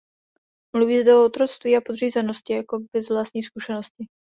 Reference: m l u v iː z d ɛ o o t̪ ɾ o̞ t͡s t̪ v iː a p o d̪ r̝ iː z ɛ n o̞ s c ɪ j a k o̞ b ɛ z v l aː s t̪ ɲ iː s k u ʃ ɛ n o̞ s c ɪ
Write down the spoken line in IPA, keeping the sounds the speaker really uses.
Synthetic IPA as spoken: m l u v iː z d ɛ o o t̪ ɾ o̞ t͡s t̪ v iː a p o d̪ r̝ iː z ɛ n o̞ s c ɪ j a k o̞ b ɛ z v l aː s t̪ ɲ iː s k u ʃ ɛ n o̞ s c ɪ